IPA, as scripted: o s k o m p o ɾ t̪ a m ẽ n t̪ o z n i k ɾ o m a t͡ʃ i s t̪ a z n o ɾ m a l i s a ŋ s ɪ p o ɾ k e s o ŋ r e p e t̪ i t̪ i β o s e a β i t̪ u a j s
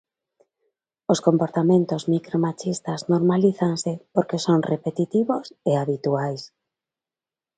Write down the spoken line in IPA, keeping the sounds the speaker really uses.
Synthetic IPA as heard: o s k o m p o ɾ t̪ a m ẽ n t̪ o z m i k ɾ o m a t͡ʃ i s t̪ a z n o ɾ m a l i θ a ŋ s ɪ p o ɾ k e s o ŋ r e p e t̪ i t̪ i β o s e a β i t̪ u a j s